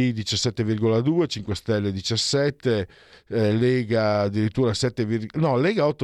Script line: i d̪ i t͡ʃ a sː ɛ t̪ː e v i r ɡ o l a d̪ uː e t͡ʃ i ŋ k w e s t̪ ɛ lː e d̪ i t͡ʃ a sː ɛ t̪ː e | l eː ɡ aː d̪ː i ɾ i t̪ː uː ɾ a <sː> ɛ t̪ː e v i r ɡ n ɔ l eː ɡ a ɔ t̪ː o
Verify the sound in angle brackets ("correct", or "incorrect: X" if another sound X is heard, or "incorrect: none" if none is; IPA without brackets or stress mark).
incorrect: s